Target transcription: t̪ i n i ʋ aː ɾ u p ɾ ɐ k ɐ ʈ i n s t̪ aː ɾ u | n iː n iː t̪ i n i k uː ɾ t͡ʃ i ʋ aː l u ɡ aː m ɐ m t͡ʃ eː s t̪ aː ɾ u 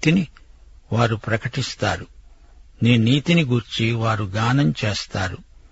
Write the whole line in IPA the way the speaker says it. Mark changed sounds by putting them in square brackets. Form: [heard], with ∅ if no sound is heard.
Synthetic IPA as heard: t̪ i n i ʋ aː ɾ u p ɾ ɐ k ɐ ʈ i [∅] s t̪ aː ɾ u | n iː n iː t̪ i n i [ɡ] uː ɾ t͡ʃ i ʋ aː [ɾ] u ɡ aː [n] ɐ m t͡ʃ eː s t̪ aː ɾ u